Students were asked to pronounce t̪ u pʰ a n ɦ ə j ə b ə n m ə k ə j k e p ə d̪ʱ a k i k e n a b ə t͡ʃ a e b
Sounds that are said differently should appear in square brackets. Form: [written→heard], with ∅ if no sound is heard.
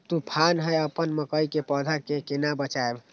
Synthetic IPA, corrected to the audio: t̪ u pʰ a n ɦ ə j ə [b→p] ə n m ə k ə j k e p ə d̪ʱ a k [i→e] k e n a b ə t͡ʃ a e b

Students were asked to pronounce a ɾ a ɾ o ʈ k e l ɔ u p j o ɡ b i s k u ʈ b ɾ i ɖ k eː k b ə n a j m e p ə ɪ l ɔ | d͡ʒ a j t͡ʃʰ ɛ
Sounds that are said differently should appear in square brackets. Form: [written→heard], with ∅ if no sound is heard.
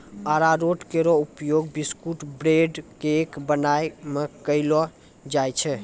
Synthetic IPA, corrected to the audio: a ɾ a ɾ o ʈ k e [l→ɾ] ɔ u p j o ɡ b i s k u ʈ b ɾ [i→e] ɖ k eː k b ə n a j m e [p→k] ə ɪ l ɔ | d͡ʒ a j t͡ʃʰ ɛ

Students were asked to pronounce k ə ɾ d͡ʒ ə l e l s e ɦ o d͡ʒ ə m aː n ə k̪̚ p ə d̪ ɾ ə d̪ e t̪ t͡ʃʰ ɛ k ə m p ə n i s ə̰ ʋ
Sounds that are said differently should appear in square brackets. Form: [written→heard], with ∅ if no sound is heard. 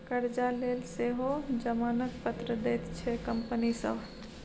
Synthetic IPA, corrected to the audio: k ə ɾ d͡ʒ [ə→a] l e l s e ɦ o d͡ʒ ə m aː n ə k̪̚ p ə [d̪→t̪] ɾ ə d̪ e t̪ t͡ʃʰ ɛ k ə m p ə n i s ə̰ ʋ

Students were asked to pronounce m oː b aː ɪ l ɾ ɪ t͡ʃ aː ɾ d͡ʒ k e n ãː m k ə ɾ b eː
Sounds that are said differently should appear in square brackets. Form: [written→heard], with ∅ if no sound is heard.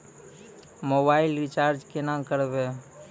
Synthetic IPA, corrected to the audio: m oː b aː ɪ l ɾ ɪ t͡ʃ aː ɾ d͡ʒ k e n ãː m k ə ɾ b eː

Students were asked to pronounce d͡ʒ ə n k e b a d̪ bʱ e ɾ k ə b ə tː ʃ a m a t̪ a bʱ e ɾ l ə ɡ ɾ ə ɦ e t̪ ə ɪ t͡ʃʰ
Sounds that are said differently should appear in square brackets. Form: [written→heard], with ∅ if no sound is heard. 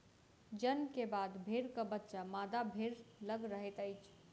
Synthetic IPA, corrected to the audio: d͡ʒ ə n k e b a d̪ bʱ e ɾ k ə b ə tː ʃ a m a [t̪→d̪] a bʱ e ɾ l ə ɡ ɾ ə ɦ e t̪ ə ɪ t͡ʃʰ

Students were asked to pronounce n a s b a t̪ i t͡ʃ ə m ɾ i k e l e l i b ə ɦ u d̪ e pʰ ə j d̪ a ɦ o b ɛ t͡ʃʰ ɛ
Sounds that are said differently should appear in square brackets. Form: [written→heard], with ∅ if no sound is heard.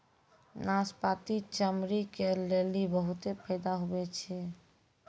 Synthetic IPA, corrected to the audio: n a s [b→p] a t̪ i t͡ʃ ə m ɾ i k e l e l i b ə ɦ u [d̪→t̪] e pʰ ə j d̪ a ɦ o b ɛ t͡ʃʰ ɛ

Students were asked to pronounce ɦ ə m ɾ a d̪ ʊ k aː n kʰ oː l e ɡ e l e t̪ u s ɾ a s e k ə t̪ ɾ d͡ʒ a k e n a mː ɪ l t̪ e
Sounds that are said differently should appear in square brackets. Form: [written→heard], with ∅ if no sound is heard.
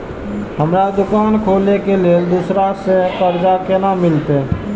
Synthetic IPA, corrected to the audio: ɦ ə m ɾ a d̪ ʊ k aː n kʰ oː l e [ɡ→k] e l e [t̪→d̪] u s ɾ a s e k ə [t̪→∅] ɾ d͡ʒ a k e n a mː ɪ l t̪ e

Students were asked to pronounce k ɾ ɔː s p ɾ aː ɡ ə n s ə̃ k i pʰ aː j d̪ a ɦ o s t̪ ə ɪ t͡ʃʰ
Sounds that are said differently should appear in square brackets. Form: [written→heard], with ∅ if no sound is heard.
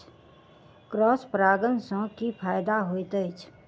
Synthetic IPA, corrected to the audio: k ɾ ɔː s p ɾ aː ɡ ə n s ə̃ k i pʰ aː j d̪ a ɦ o [s→∅] t̪ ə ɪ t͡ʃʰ

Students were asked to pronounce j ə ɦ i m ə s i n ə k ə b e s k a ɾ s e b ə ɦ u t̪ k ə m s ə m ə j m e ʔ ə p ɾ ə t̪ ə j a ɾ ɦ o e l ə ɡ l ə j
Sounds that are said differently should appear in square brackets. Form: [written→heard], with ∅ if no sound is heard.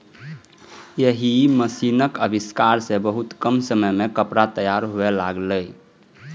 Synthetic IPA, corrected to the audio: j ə ɦ i m ə s i n ə k ə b [e→i] s k a ɾ s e b ə ɦ u t̪ k ə m s ə m ə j m e [ʔ→k] ə p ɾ [ə→a] t̪ ə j a ɾ ɦ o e l [ə→a] ɡ l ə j

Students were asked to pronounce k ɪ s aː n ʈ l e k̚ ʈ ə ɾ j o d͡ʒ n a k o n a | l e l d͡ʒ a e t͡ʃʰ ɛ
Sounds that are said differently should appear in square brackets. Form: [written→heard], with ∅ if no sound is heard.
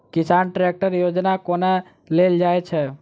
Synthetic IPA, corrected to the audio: k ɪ s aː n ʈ [l→ɾ] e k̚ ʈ ə ɾ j o d͡ʒ n a k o n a | l e l d͡ʒ a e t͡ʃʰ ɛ

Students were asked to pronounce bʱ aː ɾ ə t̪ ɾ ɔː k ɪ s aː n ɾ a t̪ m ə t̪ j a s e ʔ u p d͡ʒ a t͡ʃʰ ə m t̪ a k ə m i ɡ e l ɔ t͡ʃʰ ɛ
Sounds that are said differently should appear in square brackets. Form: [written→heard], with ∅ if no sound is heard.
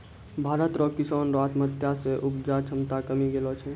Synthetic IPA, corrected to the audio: bʱ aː ɾ ə t̪ ɾ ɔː k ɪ s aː n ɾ a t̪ m ə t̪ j a s e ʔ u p d͡ʒ a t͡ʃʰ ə m t̪ a k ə m i ɡ e l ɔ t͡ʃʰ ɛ

